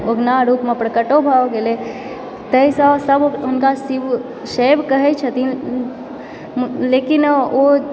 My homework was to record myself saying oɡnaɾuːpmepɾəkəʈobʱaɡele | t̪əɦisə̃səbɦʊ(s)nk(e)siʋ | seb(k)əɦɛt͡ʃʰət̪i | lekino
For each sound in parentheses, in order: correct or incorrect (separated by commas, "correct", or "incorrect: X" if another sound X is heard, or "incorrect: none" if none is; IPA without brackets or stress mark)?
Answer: incorrect: none, incorrect: a, correct